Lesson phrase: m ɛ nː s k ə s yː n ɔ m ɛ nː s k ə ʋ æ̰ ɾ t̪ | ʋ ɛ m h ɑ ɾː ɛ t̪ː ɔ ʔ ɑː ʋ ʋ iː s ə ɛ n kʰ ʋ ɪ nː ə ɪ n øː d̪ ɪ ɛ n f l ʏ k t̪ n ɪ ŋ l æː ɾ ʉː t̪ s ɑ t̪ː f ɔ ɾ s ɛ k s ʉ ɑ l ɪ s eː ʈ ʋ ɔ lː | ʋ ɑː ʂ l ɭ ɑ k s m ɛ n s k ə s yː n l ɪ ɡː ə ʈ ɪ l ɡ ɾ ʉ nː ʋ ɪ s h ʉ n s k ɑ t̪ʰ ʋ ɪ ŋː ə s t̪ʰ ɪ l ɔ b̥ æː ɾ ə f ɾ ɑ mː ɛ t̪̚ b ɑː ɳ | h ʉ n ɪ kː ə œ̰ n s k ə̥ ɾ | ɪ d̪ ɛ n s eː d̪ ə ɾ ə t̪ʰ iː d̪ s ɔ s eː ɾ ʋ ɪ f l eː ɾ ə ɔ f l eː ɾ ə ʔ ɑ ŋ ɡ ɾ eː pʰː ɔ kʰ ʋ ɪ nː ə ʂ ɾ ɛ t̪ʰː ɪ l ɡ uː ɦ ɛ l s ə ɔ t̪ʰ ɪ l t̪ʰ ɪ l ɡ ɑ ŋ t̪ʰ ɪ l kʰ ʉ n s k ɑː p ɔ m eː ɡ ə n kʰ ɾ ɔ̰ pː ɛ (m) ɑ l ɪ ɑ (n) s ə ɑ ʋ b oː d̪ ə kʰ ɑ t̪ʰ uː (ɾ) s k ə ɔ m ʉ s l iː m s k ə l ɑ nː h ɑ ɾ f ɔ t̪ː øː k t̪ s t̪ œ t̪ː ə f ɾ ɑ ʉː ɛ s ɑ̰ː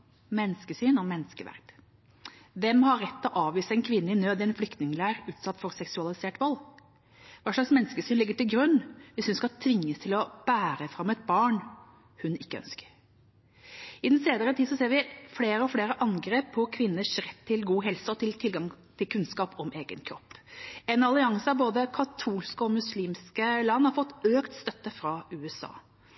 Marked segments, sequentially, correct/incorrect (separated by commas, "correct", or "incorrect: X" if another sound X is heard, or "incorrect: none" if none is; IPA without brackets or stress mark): incorrect: n, incorrect: ŋ, incorrect: l